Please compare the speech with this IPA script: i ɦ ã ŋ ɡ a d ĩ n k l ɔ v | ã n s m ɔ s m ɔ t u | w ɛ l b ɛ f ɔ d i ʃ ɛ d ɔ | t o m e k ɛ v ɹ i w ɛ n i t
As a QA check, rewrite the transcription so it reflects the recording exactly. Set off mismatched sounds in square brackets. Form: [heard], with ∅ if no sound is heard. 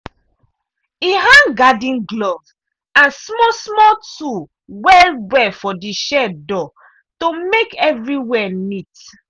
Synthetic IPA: i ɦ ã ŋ ɡ a d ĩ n [ɡ] l ɔ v | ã n s m ɔ s m ɔ t u | w ɛ l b ɛ f ɔ d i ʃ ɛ d ɔ | t o m e k ɛ v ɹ i w ɛ n i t